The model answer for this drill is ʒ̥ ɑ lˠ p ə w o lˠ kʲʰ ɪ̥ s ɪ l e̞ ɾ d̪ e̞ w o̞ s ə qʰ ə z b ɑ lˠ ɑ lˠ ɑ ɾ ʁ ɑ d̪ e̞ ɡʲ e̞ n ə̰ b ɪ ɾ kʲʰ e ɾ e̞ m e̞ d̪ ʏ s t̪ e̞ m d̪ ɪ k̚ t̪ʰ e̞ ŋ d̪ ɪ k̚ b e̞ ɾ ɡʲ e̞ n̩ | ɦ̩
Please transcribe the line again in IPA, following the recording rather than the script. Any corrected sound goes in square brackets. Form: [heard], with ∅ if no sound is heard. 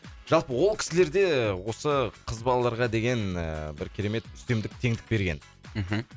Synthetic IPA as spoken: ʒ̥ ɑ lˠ p ə w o lˠ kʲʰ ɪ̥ s ɪ l e̞ ɾ d̪ e̞ w o̞ s ə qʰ ə z b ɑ lˠ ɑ lˠ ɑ ɾ ʁ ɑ d̪ e̞ ɡʲ e̞ n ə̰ b ɪ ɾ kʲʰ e ɾ e̞ m e̞ [t̪] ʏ s t̪ e̞ m d̪ ɪ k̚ t̪ʰ e̞ ŋ d̪ ɪ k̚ b e̞ ɾ ɡʲ e̞ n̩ | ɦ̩